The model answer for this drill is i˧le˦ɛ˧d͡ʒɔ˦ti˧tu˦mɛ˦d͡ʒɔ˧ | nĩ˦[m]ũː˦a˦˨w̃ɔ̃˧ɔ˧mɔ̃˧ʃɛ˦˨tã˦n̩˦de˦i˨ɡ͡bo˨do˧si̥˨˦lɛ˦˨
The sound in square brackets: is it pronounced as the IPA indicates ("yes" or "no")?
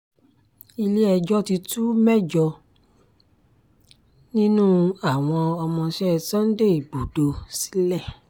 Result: no